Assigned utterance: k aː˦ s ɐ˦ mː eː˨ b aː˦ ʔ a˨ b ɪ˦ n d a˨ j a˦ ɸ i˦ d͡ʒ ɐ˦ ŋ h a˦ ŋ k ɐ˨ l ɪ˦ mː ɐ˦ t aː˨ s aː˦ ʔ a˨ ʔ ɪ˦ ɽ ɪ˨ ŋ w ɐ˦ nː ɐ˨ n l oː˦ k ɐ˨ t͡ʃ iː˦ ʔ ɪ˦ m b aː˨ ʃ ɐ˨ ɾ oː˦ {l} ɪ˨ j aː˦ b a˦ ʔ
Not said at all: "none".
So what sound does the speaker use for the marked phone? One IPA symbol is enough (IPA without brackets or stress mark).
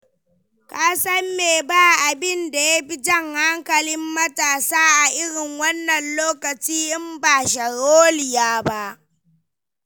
l